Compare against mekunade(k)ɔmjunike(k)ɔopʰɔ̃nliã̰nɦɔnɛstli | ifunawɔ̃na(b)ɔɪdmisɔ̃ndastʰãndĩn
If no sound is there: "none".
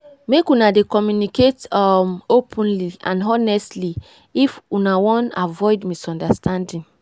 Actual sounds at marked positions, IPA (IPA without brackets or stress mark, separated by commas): k, t, v